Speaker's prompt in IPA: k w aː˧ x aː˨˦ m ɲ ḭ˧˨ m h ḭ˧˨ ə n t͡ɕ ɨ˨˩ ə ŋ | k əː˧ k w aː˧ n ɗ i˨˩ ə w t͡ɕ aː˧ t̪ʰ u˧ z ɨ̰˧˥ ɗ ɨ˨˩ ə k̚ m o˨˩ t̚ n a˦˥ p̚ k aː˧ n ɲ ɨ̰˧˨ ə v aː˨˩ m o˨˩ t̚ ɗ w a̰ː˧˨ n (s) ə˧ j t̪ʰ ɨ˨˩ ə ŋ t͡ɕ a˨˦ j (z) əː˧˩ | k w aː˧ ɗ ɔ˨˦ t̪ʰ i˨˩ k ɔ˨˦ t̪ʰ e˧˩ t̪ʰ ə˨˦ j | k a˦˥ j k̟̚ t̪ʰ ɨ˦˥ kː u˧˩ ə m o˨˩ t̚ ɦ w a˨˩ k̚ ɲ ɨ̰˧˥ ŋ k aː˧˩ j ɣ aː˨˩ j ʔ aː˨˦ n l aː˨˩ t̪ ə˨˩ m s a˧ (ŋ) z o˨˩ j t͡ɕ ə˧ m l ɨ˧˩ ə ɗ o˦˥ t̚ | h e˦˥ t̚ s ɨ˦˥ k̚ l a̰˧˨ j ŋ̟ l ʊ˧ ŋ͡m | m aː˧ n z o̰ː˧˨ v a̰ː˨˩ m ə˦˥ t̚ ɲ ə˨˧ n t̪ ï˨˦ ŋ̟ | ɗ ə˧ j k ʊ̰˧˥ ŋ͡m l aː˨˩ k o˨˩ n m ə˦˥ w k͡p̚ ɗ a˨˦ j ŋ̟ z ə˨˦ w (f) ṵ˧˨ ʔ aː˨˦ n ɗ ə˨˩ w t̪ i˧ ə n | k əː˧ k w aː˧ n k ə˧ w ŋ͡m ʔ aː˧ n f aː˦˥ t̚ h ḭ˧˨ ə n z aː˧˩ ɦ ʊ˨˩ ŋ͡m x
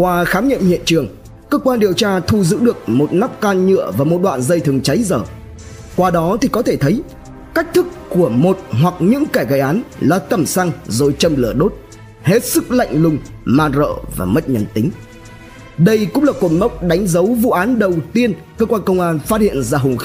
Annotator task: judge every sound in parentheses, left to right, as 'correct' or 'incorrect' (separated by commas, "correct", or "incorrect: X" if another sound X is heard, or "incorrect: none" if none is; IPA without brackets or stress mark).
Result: incorrect: z, correct, correct, incorrect: v